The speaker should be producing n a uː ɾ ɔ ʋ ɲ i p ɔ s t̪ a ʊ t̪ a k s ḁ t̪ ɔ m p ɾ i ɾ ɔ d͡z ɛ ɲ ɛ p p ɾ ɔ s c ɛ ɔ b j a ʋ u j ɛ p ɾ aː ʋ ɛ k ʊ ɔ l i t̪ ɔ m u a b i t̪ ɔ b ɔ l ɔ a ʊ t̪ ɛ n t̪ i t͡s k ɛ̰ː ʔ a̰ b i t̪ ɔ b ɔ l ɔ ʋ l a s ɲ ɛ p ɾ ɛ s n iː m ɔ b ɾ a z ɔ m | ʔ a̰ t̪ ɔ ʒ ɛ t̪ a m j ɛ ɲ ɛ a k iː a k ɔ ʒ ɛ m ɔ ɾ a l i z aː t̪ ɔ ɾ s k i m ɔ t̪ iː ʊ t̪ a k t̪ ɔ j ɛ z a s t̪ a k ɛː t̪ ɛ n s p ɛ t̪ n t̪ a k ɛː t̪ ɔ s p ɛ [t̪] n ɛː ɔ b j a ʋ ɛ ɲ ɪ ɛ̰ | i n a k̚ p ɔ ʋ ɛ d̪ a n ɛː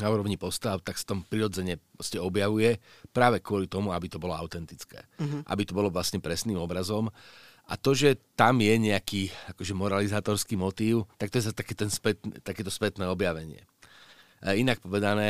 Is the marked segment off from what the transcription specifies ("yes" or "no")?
no